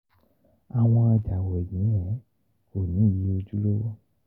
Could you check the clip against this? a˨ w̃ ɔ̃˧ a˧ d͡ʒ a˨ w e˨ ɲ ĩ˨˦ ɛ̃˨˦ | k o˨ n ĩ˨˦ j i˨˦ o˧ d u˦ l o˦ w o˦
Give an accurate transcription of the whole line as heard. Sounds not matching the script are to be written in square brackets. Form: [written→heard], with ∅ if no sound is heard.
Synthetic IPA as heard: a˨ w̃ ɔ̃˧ a˧ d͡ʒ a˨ w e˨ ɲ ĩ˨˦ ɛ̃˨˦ | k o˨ n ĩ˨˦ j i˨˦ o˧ [d→d͡ʒ] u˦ l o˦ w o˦